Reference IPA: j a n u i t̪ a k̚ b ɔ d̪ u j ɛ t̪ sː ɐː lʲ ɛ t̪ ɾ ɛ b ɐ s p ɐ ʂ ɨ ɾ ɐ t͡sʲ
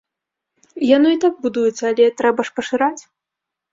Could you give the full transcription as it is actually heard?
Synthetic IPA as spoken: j a n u i t̪ a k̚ b u d̪ u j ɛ t̪ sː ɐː lʲ ɛ t̪ ɾ ɛ b ɐ ʂ p ɐ ʂ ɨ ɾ a t͡sʲ